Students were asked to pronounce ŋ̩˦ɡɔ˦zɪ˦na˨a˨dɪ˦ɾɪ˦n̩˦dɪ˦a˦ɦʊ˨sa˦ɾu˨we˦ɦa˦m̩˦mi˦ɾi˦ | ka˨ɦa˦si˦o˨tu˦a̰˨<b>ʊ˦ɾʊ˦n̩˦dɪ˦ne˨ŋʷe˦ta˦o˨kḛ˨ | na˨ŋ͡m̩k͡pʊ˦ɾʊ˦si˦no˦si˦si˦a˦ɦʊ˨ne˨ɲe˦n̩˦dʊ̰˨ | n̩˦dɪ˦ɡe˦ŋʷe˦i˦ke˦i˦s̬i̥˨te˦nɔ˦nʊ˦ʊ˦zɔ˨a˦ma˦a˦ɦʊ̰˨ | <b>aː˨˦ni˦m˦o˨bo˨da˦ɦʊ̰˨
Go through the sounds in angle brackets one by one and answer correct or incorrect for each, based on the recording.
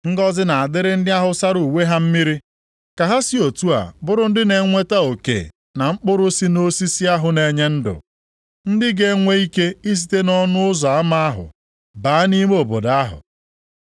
correct, correct

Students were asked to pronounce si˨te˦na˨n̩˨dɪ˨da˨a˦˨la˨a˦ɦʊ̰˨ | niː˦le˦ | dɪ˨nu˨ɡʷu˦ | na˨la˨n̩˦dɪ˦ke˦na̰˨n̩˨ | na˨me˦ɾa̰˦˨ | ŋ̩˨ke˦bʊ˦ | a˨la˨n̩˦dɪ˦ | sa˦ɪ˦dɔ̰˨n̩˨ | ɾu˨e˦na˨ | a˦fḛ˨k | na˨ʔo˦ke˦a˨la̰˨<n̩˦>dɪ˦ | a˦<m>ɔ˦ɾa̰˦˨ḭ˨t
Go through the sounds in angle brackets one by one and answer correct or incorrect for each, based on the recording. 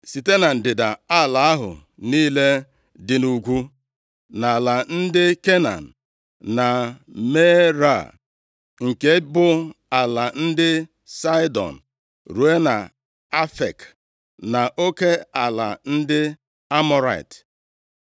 correct, correct

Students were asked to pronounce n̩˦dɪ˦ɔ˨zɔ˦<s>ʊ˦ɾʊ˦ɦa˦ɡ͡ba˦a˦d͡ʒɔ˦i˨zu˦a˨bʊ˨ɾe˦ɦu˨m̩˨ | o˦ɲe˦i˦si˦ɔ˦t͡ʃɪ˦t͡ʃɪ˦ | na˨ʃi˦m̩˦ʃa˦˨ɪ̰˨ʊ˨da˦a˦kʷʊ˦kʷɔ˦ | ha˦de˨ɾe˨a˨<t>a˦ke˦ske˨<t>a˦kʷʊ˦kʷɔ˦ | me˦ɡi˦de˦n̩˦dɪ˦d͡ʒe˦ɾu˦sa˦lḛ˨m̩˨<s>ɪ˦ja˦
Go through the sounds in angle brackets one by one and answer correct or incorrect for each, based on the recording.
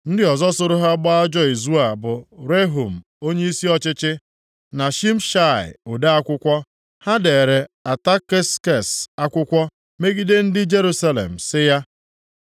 correct, correct, incorrect: s, correct

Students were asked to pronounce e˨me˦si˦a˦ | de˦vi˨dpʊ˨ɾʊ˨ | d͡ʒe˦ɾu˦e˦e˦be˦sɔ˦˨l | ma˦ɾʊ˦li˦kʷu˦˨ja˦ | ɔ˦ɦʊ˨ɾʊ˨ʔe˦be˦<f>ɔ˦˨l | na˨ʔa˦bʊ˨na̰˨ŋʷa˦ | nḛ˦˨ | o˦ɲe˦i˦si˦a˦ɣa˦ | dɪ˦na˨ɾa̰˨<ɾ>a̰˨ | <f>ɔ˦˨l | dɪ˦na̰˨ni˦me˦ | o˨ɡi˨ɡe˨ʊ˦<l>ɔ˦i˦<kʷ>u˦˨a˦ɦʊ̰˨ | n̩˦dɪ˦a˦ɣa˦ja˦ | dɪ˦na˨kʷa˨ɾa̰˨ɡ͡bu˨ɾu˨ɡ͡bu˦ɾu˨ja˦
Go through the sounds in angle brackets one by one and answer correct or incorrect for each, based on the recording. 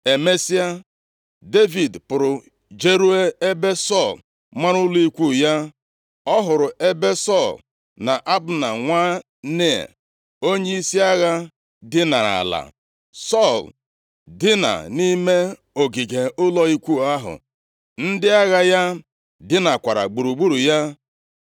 incorrect: s, incorrect: l, incorrect: s, correct, correct

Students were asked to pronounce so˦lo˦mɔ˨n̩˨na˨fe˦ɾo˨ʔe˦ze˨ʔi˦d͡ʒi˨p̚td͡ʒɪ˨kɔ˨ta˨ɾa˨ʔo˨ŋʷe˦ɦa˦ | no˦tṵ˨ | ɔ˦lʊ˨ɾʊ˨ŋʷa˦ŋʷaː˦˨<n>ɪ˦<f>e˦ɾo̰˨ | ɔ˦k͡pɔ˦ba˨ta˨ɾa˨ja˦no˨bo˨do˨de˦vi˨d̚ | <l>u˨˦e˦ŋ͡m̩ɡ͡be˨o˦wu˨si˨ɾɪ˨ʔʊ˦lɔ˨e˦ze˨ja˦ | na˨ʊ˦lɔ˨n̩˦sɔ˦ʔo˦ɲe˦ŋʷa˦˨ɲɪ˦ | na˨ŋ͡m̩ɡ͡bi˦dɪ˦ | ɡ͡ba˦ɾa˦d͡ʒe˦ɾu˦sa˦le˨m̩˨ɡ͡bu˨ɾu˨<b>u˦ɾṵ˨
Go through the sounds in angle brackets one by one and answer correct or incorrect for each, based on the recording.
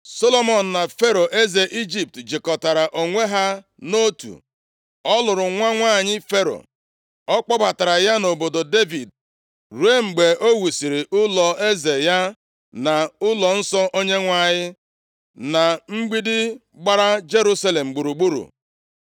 incorrect: ɲ, correct, incorrect: ɾ, incorrect: ɡ͡b

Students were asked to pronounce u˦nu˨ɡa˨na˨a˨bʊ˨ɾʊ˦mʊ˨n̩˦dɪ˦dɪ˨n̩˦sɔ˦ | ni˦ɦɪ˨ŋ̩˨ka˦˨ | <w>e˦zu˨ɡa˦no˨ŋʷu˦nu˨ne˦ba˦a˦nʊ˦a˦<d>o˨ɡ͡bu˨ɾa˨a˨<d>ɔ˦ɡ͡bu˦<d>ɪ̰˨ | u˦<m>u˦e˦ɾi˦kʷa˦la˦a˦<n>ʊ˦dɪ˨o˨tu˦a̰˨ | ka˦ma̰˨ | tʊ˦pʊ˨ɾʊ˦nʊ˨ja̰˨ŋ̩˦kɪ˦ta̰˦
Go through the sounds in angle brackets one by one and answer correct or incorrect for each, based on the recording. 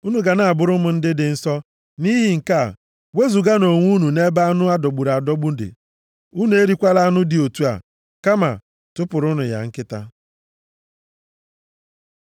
correct, correct, correct, correct, incorrect: n, correct

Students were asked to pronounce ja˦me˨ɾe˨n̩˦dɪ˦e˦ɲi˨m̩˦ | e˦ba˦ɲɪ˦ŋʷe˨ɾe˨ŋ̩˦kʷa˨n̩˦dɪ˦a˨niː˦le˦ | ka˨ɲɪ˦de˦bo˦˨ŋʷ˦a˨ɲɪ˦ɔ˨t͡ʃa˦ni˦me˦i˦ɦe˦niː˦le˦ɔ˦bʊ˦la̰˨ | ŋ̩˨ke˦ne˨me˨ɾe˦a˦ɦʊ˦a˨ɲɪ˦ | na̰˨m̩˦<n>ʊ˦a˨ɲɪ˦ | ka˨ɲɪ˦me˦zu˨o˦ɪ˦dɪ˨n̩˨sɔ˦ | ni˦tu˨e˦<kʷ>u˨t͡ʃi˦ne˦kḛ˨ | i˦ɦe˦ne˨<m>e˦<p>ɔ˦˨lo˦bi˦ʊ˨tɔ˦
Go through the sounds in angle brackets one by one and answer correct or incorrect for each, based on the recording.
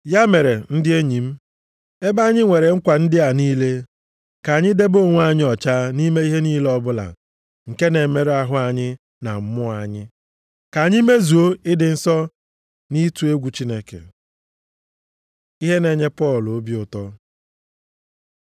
incorrect: m, incorrect: ɡʷ, incorrect: ɲ, correct

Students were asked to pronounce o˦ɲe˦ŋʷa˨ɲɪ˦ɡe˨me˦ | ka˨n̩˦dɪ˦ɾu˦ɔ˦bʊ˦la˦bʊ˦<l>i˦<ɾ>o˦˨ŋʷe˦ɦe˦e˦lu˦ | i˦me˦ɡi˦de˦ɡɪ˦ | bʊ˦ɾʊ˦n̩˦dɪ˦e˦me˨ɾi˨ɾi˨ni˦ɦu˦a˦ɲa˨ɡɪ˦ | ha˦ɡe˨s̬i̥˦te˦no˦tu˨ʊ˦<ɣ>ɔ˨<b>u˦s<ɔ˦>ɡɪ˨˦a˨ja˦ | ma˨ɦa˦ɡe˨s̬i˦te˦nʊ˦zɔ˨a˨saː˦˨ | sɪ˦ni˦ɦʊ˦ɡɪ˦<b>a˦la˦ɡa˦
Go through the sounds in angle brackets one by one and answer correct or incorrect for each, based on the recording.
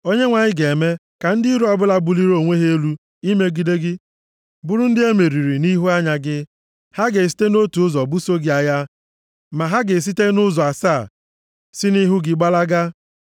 correct, correct, incorrect: z, correct, incorrect: o˦, incorrect: ɡ͡b

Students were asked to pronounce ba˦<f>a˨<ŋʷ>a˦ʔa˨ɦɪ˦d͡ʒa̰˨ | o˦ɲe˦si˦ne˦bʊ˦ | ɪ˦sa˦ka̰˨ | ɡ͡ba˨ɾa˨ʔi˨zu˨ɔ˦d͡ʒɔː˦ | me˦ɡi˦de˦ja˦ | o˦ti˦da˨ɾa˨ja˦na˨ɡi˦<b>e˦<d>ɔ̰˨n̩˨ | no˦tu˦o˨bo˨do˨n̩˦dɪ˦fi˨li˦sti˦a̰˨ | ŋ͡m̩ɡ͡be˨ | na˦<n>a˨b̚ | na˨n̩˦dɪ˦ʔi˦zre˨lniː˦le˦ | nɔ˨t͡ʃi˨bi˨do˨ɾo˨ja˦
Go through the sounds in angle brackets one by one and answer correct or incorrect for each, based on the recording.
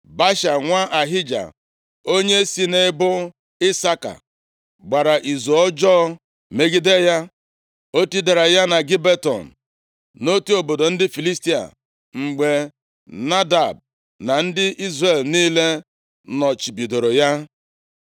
incorrect: ʃ, correct, correct, incorrect: t, incorrect: d

